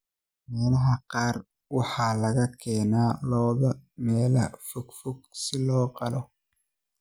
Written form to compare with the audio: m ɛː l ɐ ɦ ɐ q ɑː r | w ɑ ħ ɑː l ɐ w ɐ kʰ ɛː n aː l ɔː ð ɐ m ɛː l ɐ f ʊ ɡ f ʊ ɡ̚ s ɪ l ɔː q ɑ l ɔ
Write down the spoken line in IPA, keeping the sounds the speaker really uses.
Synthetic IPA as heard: m ɛː l ɐ ɦ ɐ q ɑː r | w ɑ ħ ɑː l ɐ ɣ ɐ kʰ ɛː n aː l ɔː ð ɐ m ɛː l ɐ f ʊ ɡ f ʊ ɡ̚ s ɪ l ɔː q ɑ l ɔ